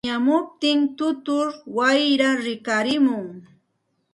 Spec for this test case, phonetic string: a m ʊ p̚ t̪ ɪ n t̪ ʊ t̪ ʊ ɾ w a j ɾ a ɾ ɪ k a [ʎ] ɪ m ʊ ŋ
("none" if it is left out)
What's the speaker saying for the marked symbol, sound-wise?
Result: ɾ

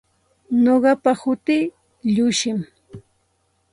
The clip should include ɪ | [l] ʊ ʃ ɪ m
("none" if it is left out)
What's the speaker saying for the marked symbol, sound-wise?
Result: ʎ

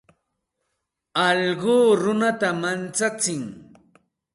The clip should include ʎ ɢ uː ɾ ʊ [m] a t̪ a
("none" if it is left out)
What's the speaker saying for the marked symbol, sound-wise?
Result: n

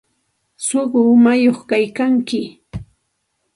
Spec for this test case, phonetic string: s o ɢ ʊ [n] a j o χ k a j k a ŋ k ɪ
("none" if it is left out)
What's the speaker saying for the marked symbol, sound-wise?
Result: m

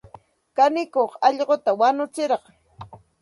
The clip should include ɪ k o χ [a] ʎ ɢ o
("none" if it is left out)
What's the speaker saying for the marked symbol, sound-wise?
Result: ɑ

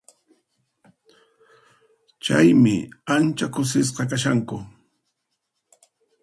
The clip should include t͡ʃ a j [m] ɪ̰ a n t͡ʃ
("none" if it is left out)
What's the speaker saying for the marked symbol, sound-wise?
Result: m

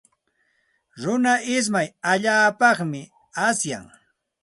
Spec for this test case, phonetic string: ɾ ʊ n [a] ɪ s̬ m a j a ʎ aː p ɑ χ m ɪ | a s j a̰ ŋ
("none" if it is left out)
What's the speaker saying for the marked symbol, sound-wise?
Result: a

